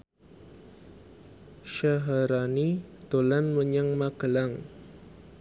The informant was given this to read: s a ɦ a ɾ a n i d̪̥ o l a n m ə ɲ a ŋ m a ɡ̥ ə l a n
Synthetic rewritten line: ʃ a ɦ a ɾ a n i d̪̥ o l a n m ə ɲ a ŋ m a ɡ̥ ə l a ŋ